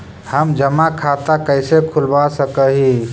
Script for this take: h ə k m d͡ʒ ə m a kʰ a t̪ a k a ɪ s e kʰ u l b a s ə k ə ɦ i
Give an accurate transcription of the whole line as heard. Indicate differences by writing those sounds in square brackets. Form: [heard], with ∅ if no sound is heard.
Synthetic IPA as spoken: h ə [∅] m d͡ʒ ə m a kʰ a t̪ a k [ə] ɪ s e kʰ u l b a s ə k ə ɦ i